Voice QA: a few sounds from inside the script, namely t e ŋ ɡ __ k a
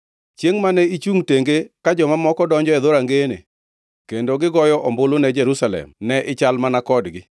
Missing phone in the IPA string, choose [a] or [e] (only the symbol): e